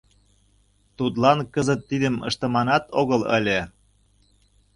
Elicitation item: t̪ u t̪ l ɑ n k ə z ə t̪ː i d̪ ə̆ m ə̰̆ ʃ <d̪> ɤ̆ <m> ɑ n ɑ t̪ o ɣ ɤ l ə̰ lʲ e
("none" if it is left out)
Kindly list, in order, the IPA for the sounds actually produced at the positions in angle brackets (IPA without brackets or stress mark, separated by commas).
t̪, m